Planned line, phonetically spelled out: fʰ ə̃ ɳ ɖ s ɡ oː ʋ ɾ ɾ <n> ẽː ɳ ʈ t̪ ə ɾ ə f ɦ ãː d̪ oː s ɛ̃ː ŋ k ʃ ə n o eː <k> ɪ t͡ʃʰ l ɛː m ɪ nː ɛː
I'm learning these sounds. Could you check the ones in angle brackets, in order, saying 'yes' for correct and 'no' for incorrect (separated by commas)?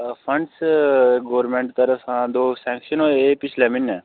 no, no